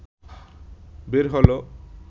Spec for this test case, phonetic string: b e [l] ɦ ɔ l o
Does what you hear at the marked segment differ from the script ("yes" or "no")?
yes